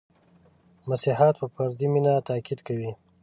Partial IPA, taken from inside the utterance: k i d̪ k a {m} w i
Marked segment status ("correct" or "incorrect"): incorrect